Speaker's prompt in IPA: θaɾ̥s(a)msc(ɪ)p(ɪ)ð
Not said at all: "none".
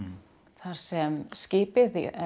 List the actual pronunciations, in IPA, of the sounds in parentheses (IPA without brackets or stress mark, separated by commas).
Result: ɛ, ɪː, ɪ